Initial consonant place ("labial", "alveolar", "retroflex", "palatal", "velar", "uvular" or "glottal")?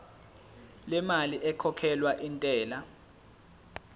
alveolar